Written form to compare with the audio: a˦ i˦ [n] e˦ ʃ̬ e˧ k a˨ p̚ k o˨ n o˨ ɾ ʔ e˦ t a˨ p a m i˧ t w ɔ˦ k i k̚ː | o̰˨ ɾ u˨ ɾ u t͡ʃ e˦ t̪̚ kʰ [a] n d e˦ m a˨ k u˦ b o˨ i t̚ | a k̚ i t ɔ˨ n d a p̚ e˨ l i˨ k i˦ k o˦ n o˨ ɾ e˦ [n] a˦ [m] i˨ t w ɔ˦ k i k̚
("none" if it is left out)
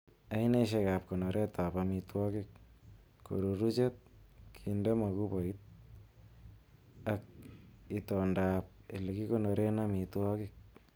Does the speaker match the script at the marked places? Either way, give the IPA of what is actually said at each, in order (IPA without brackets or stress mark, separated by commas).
n, i, n, m